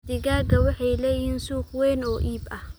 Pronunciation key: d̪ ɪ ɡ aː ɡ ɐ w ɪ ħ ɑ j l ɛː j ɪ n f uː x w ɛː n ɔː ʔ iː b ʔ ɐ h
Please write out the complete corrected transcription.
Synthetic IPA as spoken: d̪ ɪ ɡ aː ɡ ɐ w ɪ ħ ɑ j l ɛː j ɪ n s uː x w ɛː n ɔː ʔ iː b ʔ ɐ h